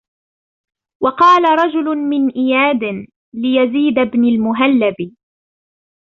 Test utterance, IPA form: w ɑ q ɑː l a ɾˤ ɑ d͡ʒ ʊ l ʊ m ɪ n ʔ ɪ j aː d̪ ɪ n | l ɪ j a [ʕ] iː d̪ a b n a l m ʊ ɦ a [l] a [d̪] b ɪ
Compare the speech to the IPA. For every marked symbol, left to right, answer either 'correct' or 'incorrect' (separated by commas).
incorrect, incorrect, incorrect